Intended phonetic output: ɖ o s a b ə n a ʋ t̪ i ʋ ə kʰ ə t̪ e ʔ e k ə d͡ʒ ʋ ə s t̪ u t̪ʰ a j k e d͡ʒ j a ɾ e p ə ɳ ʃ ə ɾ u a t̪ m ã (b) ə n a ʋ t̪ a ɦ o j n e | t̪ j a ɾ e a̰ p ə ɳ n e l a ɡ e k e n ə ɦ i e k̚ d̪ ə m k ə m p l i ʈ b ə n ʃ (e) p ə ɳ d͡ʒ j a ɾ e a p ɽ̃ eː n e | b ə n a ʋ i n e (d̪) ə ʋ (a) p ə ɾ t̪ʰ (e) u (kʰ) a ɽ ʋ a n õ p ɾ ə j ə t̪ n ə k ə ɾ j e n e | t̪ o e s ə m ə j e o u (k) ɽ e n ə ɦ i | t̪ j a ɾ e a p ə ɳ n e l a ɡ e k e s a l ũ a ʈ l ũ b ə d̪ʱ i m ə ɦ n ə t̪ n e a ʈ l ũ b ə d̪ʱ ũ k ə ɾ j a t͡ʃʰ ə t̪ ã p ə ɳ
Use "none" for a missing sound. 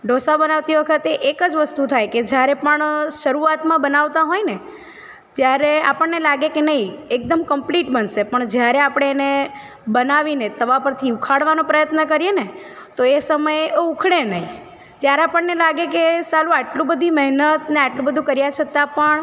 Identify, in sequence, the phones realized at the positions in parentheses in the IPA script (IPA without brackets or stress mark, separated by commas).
b, e, t̪, a, i, kʰ, kʰ